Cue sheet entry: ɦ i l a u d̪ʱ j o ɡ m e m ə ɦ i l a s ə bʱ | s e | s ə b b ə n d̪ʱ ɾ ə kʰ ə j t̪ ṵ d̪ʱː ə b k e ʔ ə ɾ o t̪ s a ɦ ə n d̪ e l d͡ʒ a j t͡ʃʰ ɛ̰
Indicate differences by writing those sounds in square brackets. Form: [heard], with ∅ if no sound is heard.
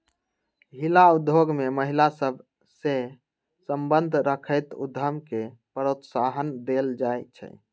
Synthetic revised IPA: ɦ i l a u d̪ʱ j o ɡ m e m ə ɦ i l a s ə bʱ | s e | s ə [m] b ə n d̪ʱ ɾ ə kʰ ə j t̪ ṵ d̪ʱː ə [m] k e [p] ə ɾ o t̪ s a ɦ ə n d̪ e l d͡ʒ a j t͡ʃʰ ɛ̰